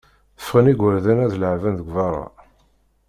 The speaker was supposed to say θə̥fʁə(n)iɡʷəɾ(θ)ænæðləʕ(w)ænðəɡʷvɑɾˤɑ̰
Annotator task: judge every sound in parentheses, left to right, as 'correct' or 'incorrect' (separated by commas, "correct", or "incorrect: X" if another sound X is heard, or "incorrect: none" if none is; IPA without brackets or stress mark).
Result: correct, incorrect: ð, incorrect: v